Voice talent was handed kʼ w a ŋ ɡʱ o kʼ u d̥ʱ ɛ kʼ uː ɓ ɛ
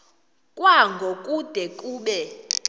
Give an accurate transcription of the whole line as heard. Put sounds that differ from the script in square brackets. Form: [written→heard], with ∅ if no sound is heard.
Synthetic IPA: kʼ w a ŋ ɡʱ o kʼ u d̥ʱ ɛ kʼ uː ɓ ɛ